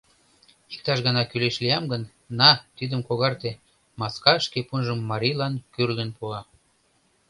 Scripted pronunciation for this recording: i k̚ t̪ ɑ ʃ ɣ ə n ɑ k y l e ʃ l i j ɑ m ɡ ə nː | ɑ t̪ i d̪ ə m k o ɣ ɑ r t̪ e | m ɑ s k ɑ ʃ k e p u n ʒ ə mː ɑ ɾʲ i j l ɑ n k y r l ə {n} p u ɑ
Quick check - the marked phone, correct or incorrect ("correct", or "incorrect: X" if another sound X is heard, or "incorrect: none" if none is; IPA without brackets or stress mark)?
correct